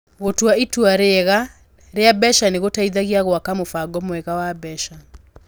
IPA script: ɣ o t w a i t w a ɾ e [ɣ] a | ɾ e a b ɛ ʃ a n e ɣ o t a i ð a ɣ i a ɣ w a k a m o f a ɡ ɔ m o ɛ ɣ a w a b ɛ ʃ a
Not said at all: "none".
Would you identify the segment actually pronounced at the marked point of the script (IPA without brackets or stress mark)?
ɣ